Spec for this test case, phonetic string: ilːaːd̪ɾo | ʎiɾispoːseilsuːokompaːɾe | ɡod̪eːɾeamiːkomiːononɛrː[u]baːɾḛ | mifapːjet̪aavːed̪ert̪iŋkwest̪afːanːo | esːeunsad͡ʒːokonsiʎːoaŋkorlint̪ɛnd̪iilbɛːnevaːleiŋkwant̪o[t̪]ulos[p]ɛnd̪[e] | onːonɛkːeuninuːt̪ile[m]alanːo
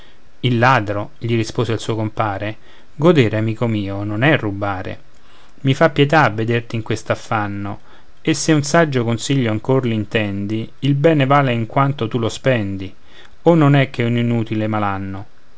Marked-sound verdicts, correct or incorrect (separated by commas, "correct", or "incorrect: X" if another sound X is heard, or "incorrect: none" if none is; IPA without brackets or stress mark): correct, correct, correct, incorrect: i, correct